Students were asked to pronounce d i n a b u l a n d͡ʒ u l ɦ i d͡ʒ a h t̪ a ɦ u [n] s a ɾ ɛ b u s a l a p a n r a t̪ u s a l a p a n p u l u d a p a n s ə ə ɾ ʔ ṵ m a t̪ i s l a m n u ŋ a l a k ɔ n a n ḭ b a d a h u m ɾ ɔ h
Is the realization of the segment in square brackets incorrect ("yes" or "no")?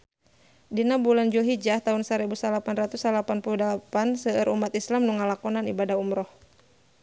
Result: no